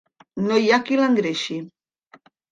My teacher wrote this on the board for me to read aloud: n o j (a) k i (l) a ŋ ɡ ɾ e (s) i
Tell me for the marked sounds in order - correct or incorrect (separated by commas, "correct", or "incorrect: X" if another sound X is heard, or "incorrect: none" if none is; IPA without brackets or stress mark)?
correct, correct, incorrect: ʃ